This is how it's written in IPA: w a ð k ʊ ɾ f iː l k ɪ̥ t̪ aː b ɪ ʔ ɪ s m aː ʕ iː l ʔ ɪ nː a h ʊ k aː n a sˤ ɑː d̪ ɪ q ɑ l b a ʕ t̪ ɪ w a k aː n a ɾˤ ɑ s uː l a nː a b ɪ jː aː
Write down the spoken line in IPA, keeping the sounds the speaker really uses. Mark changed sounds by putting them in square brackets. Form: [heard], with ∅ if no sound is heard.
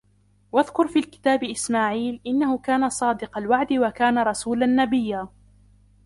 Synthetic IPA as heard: w a ð k ʊ ɾ f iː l k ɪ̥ t̪ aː b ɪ ʔ ɪ s m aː ʕ iː l ʔ ɪ nː a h ʊ k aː n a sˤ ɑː d̪ ɪ q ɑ l [w] a ʕ [d̪] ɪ w a k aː n a ɾˤ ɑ s uː l a nː a b ɪ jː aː